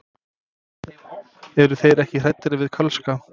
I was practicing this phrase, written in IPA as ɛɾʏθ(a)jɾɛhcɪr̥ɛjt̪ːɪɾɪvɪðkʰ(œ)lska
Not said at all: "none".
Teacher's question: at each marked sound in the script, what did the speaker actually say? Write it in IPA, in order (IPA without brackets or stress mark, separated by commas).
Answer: e, œ